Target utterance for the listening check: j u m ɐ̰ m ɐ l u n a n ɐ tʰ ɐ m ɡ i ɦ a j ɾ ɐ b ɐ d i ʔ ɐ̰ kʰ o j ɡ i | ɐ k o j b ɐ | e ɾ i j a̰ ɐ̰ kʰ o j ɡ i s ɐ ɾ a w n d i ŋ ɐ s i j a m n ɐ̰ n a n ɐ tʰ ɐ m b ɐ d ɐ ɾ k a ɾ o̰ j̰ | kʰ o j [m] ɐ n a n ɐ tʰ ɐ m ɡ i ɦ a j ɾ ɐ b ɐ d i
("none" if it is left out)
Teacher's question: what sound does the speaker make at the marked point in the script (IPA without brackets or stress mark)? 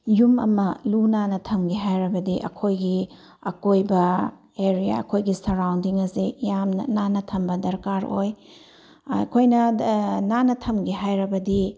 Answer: n